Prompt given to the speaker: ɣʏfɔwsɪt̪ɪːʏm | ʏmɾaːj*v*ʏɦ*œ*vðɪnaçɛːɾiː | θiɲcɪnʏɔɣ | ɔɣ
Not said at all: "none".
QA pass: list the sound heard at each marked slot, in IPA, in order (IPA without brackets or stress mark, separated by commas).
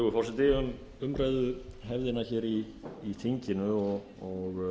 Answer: ð, ɛ